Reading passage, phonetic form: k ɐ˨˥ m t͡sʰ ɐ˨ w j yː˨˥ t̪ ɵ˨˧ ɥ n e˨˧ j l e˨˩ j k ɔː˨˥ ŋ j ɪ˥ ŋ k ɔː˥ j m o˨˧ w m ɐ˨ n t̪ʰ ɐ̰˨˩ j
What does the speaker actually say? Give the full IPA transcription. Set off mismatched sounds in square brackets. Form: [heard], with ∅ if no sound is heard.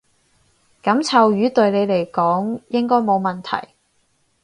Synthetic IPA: k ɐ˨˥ m t͡sʰ ɐ˨ w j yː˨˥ t̪ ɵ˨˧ ɥ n e˨˧ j l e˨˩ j k ɔː˨˥ ŋ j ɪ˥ ŋ k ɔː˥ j m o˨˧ w m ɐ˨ n t̪ʰ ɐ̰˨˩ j